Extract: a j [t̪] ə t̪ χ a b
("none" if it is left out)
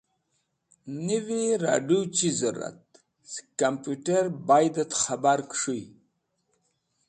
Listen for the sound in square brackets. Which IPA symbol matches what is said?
d̪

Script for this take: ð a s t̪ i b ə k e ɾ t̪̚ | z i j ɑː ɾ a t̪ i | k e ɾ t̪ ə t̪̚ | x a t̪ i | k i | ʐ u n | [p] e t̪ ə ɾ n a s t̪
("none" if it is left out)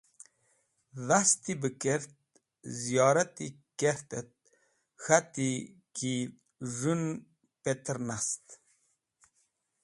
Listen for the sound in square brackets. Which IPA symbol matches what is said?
p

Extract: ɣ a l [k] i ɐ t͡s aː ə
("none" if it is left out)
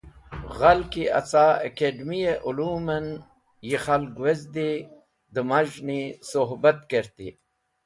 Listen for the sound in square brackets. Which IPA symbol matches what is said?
k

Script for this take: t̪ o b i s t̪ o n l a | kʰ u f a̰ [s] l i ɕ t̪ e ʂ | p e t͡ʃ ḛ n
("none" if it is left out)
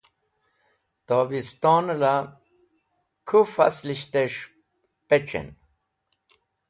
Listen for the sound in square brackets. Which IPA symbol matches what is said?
s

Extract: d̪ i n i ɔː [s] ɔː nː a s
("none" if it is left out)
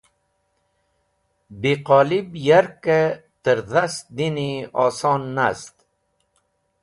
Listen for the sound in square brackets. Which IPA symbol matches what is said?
s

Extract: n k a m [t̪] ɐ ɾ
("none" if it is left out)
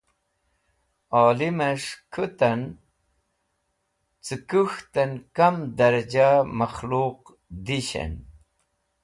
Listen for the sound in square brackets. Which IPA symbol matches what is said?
d̪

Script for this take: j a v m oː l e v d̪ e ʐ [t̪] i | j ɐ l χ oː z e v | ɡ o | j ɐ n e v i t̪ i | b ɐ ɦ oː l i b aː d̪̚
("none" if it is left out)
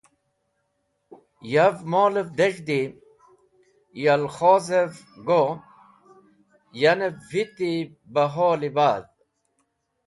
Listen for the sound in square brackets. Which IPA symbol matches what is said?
d̪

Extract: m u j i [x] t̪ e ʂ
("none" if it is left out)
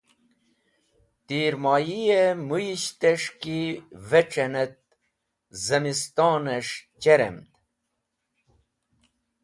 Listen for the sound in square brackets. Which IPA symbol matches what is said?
ɕ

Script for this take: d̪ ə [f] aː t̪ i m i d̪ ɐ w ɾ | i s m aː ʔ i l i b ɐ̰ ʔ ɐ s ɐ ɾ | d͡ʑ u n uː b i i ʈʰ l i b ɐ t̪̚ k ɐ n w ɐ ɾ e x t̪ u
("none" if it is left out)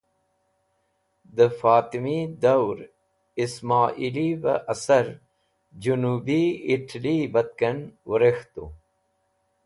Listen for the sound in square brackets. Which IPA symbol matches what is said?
f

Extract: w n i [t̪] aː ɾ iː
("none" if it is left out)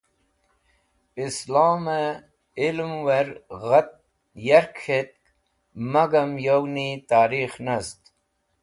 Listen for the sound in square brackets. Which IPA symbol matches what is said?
t̪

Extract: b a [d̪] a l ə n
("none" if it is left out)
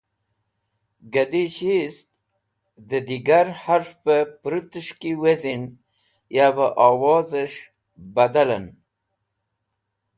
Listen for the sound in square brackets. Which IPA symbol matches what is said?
d̪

